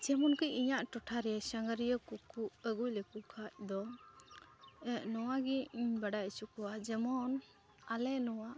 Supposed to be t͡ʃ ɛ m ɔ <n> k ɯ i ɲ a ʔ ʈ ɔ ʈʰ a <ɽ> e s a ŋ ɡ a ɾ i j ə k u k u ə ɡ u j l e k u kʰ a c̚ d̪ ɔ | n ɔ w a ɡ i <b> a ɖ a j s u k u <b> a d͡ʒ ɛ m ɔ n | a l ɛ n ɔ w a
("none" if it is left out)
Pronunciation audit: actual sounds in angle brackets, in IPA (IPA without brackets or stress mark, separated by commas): n, ɾ, b, w